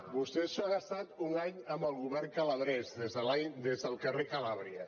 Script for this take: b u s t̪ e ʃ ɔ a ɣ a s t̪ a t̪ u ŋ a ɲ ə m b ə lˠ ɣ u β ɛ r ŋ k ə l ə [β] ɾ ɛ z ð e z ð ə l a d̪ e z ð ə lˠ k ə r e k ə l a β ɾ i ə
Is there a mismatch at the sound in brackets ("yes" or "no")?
no